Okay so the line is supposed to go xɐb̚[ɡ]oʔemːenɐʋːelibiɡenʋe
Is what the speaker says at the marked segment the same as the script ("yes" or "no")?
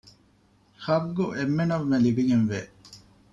yes